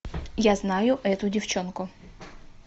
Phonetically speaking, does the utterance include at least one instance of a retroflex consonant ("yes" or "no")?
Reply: no